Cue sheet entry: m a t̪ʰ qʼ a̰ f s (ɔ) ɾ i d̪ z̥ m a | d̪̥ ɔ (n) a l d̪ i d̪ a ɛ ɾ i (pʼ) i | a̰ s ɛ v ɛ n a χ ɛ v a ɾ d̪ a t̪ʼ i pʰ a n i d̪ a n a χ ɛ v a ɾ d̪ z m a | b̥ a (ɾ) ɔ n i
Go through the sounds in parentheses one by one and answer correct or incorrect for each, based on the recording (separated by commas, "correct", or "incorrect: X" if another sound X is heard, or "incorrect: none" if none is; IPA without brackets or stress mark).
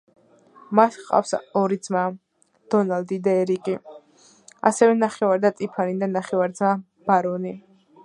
correct, correct, incorrect: kʼ, correct